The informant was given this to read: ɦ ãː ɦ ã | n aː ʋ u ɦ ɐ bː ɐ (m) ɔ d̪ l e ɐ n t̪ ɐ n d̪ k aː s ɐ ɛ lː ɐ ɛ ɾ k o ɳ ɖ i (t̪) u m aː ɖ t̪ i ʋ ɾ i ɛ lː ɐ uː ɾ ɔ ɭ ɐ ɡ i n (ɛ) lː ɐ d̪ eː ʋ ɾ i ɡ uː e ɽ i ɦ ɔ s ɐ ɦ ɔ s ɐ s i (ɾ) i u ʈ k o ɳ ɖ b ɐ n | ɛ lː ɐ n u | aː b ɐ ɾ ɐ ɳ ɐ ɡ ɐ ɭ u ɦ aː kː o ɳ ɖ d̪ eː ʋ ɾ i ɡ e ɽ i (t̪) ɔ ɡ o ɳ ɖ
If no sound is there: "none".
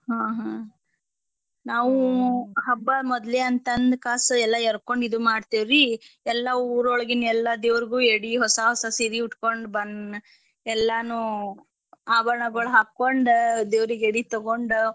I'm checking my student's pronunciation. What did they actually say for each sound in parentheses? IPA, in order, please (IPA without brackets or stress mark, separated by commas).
m, d̪, ɛ, ɾ, t̪